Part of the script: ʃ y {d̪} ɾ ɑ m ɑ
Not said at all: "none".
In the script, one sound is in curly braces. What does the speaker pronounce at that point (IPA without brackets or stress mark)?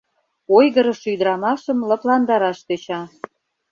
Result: d̪